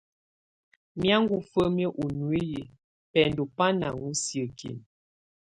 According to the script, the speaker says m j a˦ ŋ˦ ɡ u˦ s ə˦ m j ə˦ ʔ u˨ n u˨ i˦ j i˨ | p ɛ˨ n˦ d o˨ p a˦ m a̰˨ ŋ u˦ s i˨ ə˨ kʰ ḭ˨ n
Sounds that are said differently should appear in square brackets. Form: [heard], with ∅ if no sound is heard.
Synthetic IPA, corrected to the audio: m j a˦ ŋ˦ ɡ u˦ [f] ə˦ m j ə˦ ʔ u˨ n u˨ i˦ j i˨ | p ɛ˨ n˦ d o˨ p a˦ [n] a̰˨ ŋ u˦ s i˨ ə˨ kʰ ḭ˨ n